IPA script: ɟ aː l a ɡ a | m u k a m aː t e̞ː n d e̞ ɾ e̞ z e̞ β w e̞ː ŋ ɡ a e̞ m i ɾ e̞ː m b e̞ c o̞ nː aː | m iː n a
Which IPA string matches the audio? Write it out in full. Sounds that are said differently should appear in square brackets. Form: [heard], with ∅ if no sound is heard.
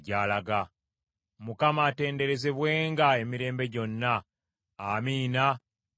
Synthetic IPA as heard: ɟ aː l a ɡ a | m u k a m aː t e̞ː n d e̞ ɾ e̞ z e̞ β w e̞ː ŋ ɡ a e̞ m i ɾ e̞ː m b e̞ [ɟ] o̞ nː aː | m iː n a